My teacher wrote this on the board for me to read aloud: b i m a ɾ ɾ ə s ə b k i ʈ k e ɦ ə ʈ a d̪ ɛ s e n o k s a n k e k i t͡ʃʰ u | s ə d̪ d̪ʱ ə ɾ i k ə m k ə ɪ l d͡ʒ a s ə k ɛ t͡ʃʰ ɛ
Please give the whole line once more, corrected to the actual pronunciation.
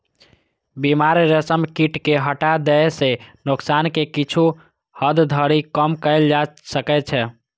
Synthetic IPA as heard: b i m a ɾ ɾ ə s ə m k i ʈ k e ɦ ə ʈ a d̪ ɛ s e n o k s a n k e k i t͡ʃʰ u | h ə d̪ d̪ʱ ə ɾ i k ə m k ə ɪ l d͡ʒ a s ə k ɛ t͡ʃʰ ɛ